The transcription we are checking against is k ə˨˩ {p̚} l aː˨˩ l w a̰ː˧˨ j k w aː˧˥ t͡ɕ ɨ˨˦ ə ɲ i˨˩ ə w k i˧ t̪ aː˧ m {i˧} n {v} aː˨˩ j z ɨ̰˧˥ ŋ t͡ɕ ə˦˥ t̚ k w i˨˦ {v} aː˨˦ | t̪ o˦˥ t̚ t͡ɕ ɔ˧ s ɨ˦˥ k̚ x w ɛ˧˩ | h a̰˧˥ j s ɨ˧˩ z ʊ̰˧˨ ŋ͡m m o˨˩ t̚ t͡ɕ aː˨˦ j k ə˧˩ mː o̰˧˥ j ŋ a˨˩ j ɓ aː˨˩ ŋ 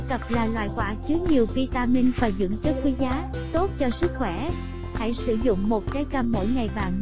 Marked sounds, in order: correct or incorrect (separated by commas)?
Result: correct, correct, incorrect, incorrect